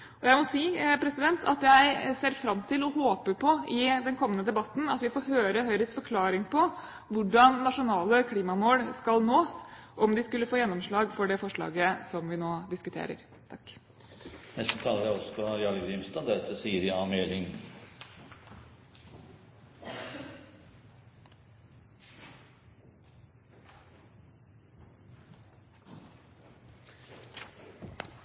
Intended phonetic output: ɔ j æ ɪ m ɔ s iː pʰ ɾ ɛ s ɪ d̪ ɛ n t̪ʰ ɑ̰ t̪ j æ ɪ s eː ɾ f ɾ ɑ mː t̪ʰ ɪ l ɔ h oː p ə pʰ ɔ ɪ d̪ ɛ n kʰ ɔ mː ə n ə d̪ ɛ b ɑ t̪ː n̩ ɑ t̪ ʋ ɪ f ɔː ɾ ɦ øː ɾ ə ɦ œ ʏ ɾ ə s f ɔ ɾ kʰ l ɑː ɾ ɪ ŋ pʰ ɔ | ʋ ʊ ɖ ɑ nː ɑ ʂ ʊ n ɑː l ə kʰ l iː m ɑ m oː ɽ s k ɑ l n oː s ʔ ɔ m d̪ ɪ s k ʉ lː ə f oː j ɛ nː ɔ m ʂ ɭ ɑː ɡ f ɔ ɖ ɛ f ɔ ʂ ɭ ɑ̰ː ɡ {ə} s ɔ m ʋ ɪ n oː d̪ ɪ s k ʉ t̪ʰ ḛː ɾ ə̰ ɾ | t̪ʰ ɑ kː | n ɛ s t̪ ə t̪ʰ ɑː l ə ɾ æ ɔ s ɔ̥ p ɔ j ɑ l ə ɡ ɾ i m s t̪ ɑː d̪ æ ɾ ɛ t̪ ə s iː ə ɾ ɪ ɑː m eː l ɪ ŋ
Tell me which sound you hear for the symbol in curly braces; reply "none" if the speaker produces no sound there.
ə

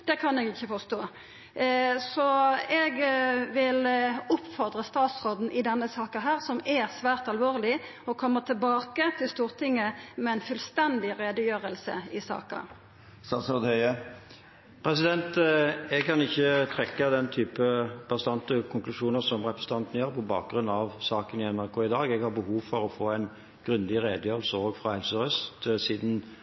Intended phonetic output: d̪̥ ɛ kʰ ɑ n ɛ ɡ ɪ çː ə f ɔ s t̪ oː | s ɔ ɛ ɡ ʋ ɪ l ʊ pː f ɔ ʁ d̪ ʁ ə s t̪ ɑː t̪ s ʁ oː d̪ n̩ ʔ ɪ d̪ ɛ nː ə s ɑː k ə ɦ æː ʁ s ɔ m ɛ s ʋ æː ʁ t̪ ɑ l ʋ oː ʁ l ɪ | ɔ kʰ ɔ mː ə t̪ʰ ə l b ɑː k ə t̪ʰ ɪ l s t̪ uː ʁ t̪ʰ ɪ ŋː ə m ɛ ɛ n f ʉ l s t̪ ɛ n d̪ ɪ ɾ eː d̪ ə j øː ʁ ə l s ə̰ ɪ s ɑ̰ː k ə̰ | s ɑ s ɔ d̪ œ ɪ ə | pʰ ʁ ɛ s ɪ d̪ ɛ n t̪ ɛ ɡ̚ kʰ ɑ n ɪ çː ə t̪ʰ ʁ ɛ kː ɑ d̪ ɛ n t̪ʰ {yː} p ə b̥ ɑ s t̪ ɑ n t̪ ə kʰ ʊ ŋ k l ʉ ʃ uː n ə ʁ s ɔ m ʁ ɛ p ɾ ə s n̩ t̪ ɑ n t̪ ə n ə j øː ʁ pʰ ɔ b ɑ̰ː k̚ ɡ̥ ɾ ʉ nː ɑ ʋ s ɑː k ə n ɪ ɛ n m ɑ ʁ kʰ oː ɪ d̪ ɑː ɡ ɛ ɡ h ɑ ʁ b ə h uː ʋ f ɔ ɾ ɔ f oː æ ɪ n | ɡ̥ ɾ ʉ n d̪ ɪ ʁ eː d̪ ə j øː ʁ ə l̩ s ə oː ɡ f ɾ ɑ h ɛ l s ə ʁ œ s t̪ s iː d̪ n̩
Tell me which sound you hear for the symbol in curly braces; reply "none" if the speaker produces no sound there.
yː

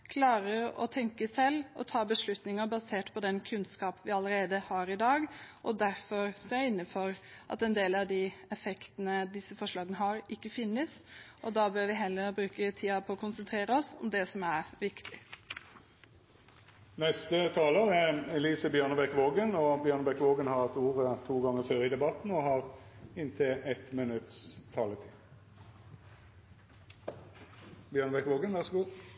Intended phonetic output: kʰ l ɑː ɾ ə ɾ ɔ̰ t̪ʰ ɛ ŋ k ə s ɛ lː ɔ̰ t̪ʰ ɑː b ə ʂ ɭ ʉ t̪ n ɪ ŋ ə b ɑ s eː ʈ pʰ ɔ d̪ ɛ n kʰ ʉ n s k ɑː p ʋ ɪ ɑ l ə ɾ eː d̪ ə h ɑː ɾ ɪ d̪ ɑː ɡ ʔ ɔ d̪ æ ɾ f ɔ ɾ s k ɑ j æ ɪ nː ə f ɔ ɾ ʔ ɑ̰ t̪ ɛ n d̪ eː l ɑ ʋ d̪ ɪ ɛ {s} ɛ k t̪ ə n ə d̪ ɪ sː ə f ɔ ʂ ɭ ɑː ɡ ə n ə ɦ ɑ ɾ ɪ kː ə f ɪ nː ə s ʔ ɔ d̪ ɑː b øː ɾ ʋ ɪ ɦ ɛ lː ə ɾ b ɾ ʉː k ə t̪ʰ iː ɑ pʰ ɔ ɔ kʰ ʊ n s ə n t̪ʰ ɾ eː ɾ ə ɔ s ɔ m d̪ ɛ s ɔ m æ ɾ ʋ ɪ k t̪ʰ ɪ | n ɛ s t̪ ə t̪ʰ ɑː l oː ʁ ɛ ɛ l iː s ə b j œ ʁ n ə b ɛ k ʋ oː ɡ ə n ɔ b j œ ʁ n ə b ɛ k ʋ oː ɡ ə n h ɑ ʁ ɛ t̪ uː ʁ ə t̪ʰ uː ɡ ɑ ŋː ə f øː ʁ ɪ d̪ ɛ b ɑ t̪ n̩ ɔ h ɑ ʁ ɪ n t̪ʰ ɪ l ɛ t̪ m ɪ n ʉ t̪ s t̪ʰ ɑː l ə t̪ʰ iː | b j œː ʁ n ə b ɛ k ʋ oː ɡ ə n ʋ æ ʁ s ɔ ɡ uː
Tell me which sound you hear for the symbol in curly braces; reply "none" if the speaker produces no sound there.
f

